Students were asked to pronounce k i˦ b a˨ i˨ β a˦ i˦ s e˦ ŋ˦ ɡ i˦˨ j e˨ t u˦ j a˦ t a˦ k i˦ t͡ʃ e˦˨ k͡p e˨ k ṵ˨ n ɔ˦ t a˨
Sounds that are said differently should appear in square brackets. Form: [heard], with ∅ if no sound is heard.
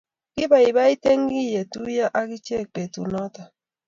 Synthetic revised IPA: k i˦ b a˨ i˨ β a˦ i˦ [t] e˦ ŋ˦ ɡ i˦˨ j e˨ t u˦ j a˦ [ʔ] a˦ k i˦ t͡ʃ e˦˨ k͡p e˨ [t] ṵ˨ n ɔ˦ t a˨